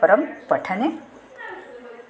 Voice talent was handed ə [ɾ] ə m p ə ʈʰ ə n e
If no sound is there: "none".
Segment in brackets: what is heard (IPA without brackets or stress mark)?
ɾ